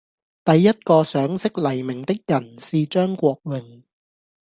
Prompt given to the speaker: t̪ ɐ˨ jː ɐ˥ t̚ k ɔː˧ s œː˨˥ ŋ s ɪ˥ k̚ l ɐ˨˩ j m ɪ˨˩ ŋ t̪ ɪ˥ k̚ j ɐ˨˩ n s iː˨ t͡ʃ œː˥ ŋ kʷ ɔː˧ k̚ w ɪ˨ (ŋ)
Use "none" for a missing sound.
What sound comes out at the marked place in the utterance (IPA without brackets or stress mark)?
ŋ